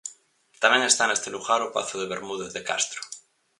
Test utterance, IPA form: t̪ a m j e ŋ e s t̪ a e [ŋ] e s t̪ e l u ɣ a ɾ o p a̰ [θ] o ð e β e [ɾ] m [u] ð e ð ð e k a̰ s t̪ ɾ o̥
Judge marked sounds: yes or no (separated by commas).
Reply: no, yes, yes, yes